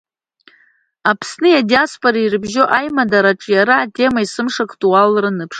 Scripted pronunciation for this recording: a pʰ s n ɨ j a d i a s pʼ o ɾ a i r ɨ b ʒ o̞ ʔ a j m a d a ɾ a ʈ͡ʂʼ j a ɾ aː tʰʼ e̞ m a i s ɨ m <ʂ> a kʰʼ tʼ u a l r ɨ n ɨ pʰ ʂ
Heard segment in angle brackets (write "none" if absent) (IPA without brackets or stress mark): ʂ